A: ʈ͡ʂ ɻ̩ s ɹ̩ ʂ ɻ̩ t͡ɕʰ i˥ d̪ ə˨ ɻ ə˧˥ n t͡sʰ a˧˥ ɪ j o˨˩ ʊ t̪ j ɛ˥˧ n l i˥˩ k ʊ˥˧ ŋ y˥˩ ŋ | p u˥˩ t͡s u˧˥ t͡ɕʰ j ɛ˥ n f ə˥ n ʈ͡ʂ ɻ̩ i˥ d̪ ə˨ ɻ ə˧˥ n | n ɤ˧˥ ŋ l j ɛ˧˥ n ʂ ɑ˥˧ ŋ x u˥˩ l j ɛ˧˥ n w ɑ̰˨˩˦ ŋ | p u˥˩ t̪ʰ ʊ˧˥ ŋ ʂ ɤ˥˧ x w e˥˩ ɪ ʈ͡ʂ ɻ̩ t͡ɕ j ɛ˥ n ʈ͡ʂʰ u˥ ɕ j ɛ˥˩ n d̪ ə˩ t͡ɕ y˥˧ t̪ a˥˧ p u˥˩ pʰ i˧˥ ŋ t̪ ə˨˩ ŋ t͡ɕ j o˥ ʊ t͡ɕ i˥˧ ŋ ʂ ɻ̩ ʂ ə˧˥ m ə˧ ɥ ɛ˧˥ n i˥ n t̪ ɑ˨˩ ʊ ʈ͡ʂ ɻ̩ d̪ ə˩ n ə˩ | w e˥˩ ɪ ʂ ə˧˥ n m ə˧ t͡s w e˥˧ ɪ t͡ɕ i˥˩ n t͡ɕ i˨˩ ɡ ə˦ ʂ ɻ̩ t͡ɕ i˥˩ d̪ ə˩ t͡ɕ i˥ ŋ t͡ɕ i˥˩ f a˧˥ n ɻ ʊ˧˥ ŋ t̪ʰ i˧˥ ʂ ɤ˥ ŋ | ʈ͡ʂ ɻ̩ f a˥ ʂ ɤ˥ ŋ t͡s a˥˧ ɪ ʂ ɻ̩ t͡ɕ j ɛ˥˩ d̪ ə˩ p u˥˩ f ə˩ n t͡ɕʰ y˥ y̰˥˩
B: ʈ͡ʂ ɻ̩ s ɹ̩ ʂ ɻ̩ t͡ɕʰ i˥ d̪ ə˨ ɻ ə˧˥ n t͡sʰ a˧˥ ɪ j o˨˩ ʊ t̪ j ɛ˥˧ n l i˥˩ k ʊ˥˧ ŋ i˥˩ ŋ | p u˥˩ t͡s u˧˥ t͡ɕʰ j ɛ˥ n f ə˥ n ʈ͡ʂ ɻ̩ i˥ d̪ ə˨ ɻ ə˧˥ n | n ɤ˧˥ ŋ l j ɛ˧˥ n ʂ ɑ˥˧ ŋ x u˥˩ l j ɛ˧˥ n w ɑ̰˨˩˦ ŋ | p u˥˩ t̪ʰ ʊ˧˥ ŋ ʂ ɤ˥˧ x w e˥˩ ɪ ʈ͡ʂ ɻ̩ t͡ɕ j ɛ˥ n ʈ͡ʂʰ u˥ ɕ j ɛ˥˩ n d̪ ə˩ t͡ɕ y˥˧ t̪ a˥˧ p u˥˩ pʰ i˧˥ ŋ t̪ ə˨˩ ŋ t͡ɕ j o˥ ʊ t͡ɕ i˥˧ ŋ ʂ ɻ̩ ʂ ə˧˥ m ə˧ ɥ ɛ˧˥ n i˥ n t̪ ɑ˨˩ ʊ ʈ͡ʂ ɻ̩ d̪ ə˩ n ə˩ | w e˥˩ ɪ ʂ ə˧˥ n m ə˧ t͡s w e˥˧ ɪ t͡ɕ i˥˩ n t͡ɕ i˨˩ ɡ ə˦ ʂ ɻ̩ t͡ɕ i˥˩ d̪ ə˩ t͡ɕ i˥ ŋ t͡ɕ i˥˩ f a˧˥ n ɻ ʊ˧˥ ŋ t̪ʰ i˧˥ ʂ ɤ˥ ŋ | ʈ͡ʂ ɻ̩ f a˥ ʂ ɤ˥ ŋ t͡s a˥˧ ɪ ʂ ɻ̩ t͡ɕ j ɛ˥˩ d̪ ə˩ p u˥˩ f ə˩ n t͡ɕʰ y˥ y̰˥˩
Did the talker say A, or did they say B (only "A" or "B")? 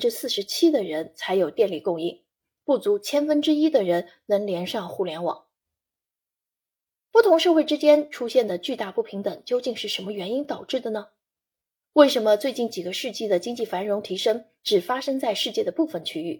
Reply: B